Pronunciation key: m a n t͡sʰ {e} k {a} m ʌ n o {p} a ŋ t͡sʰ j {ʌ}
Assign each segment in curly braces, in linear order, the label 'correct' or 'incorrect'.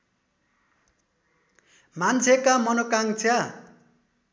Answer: correct, correct, incorrect, incorrect

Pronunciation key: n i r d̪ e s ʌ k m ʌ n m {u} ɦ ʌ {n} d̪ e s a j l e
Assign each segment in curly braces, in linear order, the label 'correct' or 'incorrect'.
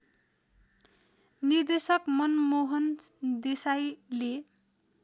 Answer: incorrect, correct

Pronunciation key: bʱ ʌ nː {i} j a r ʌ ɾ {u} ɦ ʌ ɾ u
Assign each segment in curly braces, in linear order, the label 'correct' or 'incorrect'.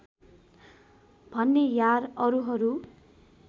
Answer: incorrect, correct

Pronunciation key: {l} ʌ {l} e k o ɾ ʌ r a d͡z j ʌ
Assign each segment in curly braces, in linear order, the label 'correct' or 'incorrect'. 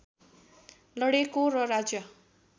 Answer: correct, incorrect

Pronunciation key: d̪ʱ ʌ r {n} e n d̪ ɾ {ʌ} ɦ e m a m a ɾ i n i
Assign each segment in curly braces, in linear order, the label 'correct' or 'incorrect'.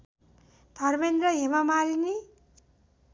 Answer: incorrect, correct

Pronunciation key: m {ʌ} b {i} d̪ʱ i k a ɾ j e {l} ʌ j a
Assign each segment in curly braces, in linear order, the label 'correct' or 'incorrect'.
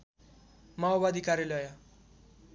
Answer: incorrect, incorrect, correct

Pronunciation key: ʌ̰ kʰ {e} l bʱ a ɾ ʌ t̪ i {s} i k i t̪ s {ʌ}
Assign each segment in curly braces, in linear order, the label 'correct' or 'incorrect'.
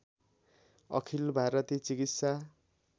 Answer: incorrect, incorrect, incorrect

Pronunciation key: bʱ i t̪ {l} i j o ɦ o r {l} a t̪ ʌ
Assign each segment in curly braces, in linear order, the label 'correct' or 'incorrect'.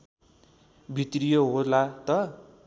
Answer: incorrect, correct

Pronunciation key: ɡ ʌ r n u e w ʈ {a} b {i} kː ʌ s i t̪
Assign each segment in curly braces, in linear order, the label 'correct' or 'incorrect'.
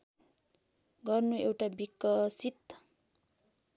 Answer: correct, correct

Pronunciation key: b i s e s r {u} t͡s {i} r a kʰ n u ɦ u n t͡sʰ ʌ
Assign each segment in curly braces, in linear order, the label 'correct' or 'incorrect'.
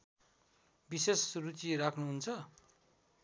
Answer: correct, correct

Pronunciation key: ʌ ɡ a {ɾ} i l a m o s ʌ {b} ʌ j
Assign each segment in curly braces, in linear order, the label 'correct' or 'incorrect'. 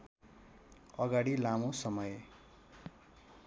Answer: incorrect, incorrect

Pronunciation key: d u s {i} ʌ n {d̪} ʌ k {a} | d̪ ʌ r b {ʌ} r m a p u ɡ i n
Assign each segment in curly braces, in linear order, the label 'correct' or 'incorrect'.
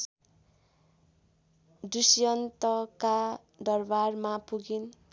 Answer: incorrect, incorrect, correct, incorrect

